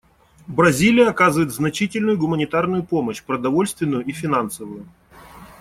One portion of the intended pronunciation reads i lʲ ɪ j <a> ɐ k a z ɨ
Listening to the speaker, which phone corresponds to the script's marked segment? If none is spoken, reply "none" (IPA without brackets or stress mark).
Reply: ə